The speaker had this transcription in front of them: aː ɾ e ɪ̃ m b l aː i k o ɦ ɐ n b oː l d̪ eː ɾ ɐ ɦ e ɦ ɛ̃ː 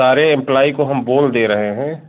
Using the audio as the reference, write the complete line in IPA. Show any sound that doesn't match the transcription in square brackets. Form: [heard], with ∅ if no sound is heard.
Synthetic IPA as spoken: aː ɾ e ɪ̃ m [p] l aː i k o ɦ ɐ [m] b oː l d̪ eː ɾ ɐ ɦ e ɦ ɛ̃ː